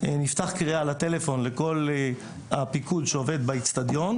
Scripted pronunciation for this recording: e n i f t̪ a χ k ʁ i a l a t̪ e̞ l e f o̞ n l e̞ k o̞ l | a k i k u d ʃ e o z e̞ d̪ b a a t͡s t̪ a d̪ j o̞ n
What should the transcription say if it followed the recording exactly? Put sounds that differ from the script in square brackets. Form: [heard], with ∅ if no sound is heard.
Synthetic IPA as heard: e n i f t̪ a χ k ʁ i a l a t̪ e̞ l e f o̞ n l e̞ k o̞ l | a [p] i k u d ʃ e o [v] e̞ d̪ b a [i] t͡s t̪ a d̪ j o̞ n